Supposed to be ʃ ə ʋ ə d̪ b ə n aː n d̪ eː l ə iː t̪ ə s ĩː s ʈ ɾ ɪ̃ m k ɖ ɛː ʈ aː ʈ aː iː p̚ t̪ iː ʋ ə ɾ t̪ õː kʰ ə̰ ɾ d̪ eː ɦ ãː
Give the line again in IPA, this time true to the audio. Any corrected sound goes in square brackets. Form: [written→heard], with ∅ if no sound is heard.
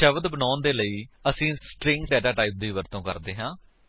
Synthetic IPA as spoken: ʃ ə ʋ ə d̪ b ə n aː n d̪ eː l ə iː [t̪→∅] ə s ĩː s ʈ ɾ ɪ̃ [m→ŋ] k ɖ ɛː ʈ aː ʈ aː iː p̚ [t̪→d̪] iː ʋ ə ɾ t̪ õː [kʰ→k] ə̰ ɾ d̪ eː ɦ ãː